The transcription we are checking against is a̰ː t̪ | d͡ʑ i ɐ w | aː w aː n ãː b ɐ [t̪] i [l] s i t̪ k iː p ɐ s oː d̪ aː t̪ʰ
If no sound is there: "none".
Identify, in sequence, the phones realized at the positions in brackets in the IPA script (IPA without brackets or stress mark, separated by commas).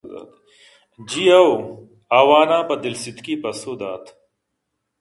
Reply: d̪, l